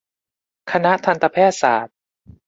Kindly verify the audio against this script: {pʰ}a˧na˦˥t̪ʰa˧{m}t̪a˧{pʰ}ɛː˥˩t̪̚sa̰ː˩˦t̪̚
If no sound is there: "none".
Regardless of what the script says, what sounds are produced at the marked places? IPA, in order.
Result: kʰ, n, pʰ

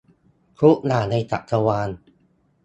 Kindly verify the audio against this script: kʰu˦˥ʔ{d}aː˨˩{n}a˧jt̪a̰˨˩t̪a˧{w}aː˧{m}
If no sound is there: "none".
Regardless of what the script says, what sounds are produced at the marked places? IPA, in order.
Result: n, n, w, n

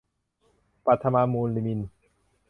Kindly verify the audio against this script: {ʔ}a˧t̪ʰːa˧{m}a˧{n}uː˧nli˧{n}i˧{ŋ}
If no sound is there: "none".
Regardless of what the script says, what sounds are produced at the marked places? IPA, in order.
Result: p, m, m, m, n

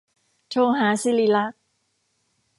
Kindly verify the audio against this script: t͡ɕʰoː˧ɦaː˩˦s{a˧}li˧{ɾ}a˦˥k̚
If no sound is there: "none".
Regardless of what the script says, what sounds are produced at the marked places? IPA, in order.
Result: i˧, l

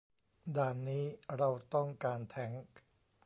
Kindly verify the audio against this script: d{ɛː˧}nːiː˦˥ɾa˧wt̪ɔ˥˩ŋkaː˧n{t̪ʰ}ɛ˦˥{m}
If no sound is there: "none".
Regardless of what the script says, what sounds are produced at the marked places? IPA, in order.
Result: aː˧, t̪ʰ, ŋ

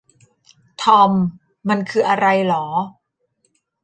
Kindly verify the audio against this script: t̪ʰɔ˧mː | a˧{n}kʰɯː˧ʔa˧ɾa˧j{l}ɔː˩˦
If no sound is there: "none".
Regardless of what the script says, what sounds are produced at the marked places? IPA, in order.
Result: n, l

